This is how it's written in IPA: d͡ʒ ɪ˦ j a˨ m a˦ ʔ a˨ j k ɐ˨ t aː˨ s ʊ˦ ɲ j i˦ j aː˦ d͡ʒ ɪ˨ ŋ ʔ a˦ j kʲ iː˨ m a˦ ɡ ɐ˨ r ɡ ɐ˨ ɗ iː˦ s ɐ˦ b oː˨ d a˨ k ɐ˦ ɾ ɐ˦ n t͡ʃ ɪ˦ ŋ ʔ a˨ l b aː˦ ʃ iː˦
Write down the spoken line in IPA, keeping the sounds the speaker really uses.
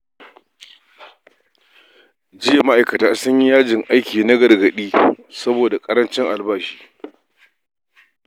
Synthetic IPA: d͡ʒ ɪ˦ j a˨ m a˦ ʔ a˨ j k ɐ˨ t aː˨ s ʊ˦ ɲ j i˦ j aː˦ d͡ʒ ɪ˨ ŋ ʔ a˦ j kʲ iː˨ n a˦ ɡ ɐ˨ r ɡ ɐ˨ ɗ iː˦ s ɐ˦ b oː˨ d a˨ kʼ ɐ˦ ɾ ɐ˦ n t͡ʃ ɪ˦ ŋ ʔ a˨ l b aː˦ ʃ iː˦